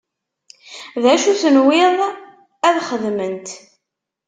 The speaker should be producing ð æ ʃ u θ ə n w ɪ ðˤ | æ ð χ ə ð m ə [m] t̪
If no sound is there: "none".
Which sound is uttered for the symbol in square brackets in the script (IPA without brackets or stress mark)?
n